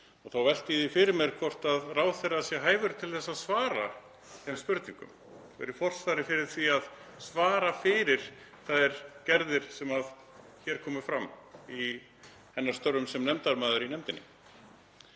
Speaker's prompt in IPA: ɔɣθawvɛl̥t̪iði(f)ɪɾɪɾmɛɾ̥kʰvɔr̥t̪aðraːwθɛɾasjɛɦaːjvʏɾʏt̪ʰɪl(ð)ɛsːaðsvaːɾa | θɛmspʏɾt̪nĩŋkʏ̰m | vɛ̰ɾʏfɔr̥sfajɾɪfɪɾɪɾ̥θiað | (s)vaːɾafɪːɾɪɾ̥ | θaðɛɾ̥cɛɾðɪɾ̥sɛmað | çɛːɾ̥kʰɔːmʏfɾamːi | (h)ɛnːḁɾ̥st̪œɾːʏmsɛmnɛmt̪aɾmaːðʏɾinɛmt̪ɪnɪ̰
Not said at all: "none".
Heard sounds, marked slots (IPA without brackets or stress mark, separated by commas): f, θ, s, h